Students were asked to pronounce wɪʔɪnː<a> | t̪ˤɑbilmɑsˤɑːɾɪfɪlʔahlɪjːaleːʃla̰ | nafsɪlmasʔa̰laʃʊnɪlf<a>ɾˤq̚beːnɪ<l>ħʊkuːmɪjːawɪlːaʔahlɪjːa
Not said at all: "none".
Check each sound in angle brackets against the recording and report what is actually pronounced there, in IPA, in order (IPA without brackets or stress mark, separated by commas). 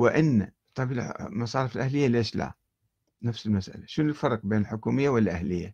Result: a, ɑ, l